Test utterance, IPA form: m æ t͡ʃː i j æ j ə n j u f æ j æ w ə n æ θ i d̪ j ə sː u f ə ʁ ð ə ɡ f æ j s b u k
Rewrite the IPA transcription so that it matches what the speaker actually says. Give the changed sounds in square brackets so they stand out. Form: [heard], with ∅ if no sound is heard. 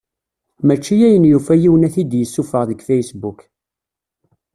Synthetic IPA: m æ t͡ʃː i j æ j ə n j u f æ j [i] w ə n æ θ i d̪ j ə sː u f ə ʁ ð ə ɡ f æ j s b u k